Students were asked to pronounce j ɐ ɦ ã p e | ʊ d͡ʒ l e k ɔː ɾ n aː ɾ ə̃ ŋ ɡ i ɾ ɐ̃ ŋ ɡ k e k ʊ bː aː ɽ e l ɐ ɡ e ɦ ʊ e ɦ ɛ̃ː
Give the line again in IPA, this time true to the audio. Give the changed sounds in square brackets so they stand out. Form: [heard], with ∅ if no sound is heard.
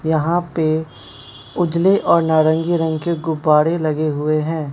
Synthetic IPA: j ɐ ɦ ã p e | ʊ d͡ʒ l e [ʔ] ɔː ɾ n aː ɾ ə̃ ŋ ɡ i ɾ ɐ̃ ŋ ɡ k e [ɡ] ʊ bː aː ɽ e l ɐ ɡ e ɦ ʊ e ɦ ɛ̃ː